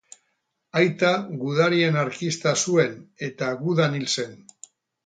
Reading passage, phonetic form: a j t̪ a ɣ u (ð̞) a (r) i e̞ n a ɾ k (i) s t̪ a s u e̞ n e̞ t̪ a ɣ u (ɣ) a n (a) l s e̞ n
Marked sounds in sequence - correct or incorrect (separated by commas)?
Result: correct, incorrect, correct, incorrect, incorrect